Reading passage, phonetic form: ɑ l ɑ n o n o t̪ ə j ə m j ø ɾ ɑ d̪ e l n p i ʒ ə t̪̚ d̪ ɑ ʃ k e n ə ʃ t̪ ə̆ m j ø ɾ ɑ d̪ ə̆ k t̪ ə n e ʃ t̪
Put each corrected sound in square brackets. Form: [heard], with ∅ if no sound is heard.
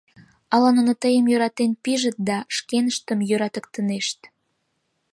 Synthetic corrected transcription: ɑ l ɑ n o n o t̪ ə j ə m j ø ɾ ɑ [t̪] e [∅] n p i ʒ ə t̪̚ d̪ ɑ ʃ k e n ə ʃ t̪ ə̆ m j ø ɾ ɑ [t̪] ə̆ k t̪ ə n e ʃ t̪